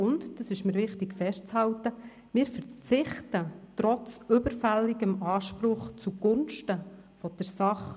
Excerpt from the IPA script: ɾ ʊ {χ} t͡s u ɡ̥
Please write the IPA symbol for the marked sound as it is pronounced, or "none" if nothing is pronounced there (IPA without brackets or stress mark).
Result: χ